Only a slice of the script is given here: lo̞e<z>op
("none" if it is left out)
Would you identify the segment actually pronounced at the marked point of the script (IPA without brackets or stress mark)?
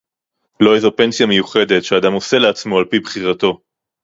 z